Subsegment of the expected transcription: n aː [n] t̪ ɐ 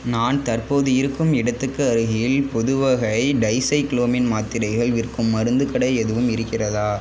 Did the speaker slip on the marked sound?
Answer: no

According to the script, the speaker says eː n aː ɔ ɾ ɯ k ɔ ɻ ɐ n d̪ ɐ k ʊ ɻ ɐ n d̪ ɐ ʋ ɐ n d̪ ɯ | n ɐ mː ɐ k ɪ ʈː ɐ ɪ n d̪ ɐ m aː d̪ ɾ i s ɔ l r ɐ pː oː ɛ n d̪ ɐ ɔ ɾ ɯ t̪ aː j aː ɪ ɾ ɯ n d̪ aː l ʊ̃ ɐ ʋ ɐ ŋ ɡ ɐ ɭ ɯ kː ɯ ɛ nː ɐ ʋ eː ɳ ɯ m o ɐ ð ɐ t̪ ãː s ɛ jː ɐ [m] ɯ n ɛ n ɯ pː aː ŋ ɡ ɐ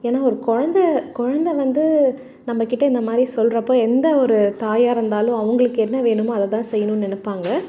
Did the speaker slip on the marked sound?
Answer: yes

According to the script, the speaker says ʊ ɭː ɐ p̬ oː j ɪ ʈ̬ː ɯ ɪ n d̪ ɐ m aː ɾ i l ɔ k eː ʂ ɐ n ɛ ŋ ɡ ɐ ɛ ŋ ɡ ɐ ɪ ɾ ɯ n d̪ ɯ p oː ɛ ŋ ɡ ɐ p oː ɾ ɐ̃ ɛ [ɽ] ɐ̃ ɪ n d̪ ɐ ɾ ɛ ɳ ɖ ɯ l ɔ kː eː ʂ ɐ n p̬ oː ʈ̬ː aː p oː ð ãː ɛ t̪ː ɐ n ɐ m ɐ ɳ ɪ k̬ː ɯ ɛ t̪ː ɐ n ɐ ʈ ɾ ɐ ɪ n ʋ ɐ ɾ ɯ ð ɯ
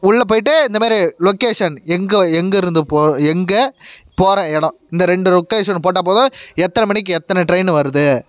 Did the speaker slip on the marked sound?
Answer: no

